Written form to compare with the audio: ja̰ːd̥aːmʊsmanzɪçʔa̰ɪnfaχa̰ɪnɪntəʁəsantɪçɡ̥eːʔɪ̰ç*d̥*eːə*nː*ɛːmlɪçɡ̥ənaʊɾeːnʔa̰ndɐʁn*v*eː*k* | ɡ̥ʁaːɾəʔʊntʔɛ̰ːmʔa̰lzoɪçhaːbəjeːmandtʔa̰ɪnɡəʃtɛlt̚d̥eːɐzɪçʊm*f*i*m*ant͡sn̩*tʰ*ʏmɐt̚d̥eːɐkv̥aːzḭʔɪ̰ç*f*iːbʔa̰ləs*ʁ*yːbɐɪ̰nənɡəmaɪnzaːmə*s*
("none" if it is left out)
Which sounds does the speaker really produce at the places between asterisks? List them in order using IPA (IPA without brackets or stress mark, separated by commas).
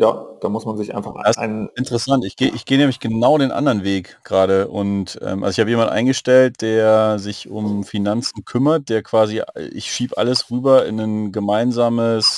ɡ̥, n, v, k, f, n, kʰ, ʃ, ʁ, s